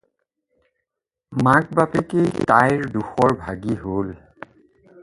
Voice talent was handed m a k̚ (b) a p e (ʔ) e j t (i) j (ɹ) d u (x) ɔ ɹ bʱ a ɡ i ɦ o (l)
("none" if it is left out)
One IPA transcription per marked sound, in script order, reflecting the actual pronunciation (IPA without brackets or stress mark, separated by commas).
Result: b, k, a, ɹ, x, l